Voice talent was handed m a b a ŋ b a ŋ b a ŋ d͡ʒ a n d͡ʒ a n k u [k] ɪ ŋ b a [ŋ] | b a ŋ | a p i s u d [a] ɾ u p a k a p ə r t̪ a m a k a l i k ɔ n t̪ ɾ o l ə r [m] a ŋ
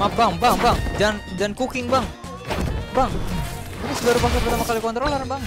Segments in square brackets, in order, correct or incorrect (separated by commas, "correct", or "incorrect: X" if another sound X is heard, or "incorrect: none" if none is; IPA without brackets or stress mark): correct, correct, correct, incorrect: b